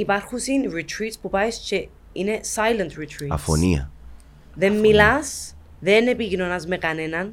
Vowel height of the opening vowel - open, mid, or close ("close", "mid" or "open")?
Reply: close